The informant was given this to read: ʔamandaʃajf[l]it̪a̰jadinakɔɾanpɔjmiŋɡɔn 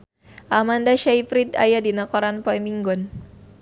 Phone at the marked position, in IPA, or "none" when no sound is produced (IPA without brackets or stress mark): ɾ